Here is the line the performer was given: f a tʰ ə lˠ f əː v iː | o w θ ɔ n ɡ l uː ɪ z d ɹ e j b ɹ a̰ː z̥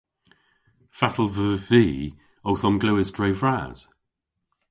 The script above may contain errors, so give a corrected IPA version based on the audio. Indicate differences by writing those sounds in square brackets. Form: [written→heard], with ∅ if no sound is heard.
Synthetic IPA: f a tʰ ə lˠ [f→v] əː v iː | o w θ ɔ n ɡ l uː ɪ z d ɹ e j [b→v] ɹ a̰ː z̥